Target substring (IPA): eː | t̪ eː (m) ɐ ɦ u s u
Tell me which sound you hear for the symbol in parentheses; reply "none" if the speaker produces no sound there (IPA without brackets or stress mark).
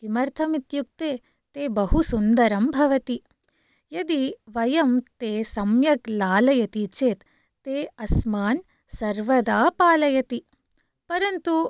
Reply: b